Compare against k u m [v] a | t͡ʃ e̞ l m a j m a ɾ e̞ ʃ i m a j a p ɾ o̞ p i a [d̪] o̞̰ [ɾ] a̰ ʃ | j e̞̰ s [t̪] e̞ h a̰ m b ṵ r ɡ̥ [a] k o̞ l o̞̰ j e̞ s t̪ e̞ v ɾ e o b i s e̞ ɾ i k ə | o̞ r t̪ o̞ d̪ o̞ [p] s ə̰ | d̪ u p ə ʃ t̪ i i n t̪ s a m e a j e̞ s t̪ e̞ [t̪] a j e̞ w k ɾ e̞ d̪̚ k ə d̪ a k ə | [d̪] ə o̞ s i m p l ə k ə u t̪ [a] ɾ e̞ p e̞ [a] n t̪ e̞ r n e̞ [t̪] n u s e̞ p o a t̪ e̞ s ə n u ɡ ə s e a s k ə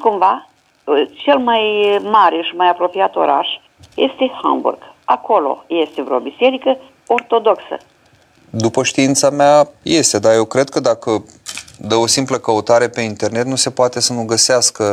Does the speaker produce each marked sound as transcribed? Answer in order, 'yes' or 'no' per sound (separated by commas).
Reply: yes, no, yes, yes, yes, no, no, yes, yes, no, yes